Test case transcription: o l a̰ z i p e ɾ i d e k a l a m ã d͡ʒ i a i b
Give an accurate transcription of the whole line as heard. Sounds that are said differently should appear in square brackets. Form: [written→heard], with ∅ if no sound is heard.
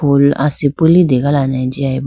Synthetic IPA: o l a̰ [z→s] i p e [ɾ→l] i d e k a l a [m→n] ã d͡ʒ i a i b